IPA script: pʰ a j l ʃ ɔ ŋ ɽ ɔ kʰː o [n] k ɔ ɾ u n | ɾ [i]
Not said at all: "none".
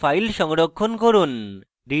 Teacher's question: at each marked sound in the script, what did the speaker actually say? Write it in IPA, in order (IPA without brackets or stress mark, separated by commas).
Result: n, i